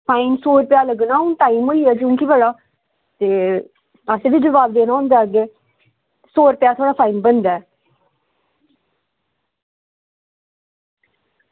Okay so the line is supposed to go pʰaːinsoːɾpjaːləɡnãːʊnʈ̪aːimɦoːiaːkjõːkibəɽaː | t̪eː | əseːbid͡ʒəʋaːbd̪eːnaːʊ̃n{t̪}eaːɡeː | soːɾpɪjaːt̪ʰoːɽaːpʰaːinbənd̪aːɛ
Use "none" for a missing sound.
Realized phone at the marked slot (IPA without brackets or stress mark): d̪